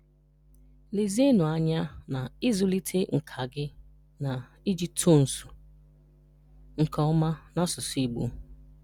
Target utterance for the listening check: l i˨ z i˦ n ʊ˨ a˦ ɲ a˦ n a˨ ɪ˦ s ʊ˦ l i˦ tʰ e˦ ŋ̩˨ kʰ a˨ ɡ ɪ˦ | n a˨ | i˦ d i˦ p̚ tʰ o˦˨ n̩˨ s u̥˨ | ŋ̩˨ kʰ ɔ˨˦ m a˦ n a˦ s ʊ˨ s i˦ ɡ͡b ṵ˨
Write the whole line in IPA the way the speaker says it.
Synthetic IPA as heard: l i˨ z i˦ n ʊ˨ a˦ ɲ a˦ n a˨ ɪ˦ z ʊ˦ l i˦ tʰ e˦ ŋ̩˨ kʰ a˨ ɡ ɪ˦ | n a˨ | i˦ d͡ʒ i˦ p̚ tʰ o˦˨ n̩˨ s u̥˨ | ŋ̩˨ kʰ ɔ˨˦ m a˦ n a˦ s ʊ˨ s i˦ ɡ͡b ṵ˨